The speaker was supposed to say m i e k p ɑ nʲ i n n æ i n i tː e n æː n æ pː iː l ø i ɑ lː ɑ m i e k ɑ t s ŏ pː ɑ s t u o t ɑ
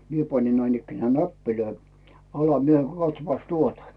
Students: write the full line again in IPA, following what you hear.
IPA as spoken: m i e p ɑ nʲ i n n æ i n i kː e n æː n æ pː i l ø i ɑ l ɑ m i e k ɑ t s ŏ pː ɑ s t u o t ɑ